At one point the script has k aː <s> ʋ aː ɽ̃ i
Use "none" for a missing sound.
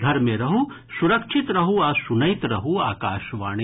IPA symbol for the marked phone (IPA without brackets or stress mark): ʃ